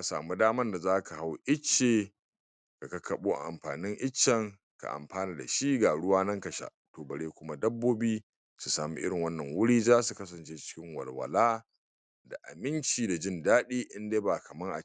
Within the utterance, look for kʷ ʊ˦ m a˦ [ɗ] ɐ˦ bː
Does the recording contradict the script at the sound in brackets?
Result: yes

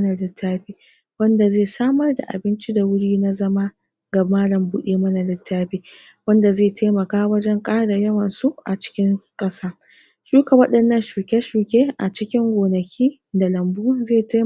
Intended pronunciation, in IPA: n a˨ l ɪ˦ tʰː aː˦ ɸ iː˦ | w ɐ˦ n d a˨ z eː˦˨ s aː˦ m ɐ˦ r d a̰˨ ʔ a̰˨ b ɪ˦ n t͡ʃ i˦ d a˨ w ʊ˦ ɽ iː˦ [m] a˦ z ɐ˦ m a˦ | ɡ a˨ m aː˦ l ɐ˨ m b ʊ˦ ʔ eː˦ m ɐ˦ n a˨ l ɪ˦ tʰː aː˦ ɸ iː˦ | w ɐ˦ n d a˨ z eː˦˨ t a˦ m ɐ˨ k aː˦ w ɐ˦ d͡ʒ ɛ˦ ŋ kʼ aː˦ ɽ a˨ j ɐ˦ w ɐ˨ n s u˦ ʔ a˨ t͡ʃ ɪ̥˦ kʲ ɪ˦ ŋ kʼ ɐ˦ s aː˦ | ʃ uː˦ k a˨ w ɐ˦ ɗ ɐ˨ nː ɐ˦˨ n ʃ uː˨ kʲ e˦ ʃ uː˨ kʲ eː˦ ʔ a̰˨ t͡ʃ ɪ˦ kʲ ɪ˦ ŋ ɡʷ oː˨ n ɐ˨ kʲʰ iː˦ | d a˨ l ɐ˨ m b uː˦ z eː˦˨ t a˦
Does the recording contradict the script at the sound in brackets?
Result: yes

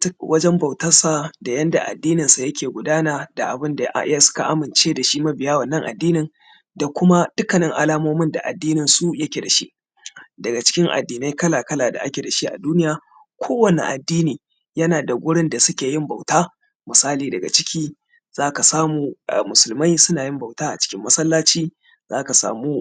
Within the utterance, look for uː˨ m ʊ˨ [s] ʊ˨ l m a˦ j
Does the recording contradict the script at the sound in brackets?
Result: no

